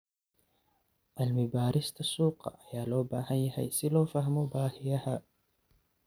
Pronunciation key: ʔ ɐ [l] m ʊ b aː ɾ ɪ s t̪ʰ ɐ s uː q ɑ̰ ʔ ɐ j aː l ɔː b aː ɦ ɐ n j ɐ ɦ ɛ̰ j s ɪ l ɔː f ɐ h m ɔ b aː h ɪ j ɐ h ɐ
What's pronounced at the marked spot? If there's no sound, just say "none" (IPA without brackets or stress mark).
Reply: l